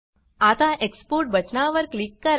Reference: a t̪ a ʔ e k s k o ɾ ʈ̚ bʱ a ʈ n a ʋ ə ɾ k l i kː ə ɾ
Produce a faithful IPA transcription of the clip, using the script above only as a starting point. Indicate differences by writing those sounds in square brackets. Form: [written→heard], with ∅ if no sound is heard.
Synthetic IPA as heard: a t̪ a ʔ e k s [k→p] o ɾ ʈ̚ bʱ [a→ə] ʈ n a ʋ ə ɾ k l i kː ə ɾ